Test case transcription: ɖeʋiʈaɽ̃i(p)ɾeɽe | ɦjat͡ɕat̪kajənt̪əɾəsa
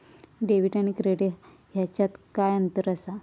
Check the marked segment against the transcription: incorrect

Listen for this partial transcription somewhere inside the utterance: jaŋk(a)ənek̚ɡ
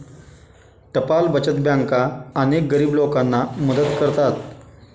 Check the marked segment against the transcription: correct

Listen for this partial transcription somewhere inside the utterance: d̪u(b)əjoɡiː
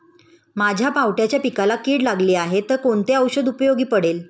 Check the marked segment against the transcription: incorrect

